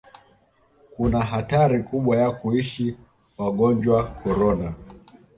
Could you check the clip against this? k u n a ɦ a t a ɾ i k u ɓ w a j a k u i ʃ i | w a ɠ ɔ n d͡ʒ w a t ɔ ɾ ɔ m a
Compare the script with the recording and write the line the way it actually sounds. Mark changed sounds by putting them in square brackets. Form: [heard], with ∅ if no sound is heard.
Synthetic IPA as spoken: k u n a ɦ a t a ɾ i k u ɓ w a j a k u i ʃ i | w a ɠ ɔ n d͡ʒ w a [k] ɔ ɾ ɔ [n] a